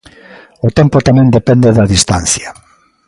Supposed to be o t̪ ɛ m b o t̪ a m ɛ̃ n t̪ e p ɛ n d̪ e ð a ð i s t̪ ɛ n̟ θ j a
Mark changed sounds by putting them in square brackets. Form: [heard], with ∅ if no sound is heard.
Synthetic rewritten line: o t̪ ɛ m [p] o t̪ a m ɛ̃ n [d̪] e p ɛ n d̪ e ð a ð i s t̪ [a] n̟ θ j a